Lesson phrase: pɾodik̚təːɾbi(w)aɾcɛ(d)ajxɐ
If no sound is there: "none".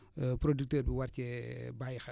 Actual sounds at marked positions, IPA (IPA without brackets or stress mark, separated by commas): w, b